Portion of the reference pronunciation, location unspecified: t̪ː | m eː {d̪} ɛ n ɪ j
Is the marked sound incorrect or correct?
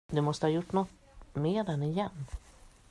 correct